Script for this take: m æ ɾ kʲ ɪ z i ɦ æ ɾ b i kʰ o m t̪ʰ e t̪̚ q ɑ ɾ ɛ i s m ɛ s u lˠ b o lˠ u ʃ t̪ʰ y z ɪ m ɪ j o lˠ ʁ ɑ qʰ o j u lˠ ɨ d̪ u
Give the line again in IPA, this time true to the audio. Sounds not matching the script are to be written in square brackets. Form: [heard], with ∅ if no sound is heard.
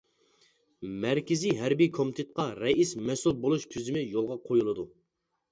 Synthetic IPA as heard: m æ ɾ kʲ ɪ z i ɦ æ ɾ b i kʰ o m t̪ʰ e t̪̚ q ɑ ɾ ɛ i s m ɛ s u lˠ b o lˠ u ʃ t̪ʰ y z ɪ m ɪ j o lˠ ʁ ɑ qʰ o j u lˠ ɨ d̪ u